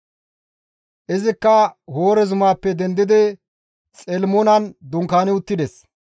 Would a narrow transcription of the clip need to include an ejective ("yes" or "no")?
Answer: yes